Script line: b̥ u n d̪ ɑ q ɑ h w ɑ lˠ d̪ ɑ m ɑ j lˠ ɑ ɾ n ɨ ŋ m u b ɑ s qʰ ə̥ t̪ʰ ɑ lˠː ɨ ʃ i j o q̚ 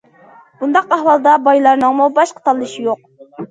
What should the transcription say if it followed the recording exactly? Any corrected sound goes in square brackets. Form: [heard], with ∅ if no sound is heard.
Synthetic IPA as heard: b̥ u n d̪ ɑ q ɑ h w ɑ lˠ d̪ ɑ [b] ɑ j lˠ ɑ ɾ n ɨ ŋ m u b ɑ [ʃ] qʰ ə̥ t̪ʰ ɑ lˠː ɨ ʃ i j o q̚